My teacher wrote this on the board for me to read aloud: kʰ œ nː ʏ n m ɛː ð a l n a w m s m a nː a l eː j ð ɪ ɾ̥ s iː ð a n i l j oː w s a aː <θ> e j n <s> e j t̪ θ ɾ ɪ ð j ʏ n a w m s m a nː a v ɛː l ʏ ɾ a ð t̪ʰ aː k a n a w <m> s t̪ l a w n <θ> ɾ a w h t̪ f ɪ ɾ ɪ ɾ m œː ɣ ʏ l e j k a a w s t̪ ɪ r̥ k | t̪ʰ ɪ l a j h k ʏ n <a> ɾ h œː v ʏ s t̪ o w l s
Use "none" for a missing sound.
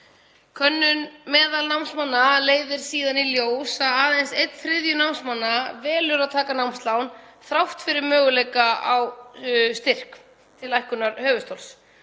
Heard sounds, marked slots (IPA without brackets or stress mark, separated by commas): ð, s, m, θ, a